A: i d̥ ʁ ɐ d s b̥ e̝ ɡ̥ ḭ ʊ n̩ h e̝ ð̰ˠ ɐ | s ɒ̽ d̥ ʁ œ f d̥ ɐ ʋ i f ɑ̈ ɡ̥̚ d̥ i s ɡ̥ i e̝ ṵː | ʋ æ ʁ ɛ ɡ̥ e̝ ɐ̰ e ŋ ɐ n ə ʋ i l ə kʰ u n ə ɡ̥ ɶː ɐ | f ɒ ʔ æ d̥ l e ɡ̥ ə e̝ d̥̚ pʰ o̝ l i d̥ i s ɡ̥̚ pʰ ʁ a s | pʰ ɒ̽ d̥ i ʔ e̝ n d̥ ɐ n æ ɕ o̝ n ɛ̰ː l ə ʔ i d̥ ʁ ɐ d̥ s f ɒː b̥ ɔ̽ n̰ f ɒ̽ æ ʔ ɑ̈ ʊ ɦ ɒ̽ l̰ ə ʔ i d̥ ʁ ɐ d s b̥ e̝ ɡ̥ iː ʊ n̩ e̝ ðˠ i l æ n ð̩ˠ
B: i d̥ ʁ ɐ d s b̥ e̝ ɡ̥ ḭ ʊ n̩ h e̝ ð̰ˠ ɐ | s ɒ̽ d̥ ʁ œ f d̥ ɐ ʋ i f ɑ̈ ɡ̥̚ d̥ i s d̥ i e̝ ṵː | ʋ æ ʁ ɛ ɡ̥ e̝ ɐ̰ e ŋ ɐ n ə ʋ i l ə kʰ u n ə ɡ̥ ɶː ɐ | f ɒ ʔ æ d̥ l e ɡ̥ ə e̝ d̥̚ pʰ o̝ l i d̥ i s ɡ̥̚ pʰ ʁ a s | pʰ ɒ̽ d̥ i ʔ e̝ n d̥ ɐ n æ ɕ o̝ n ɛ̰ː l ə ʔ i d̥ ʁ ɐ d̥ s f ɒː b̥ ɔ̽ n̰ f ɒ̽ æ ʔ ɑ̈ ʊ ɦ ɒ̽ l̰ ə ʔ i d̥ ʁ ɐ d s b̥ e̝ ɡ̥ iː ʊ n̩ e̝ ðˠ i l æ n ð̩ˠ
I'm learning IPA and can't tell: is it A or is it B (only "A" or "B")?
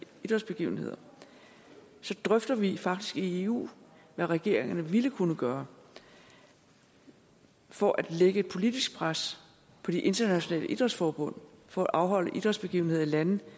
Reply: A